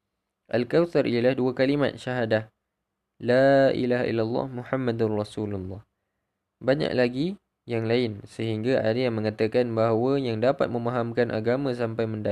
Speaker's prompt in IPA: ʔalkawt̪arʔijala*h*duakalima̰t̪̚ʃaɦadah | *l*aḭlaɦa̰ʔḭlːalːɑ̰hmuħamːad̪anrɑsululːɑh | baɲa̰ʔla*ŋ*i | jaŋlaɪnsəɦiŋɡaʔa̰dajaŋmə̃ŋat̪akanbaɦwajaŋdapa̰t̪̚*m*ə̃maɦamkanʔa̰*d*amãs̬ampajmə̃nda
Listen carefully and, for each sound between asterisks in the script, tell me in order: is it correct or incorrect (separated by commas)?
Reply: correct, correct, incorrect, correct, incorrect